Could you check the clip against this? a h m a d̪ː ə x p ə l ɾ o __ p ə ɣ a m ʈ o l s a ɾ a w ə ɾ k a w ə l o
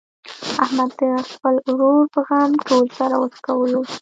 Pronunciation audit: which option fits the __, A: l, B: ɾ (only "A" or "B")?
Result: B